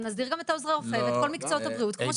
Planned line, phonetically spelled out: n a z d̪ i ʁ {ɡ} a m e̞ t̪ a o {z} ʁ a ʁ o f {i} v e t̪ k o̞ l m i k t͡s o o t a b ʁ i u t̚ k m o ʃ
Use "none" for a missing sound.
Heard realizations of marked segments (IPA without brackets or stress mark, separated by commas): ɡ, z, e